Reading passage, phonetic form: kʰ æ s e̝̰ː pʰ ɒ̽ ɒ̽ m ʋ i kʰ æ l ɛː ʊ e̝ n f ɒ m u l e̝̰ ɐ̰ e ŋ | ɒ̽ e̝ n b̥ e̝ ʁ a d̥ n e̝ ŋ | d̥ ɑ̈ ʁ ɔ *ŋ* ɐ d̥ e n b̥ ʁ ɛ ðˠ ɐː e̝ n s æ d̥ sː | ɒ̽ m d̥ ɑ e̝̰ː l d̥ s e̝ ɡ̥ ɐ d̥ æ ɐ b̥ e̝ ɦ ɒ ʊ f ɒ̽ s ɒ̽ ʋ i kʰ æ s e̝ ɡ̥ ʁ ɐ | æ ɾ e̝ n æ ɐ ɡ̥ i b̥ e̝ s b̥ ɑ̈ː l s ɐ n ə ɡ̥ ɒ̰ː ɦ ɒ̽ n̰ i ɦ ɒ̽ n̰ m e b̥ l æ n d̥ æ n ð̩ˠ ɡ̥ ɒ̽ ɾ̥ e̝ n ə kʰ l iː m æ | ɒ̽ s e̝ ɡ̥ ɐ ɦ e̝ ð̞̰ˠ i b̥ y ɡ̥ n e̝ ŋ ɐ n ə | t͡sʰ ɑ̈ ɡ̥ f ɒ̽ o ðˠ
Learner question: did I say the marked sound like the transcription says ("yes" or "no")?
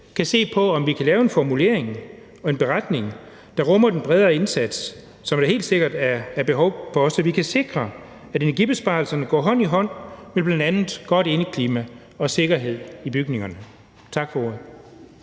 no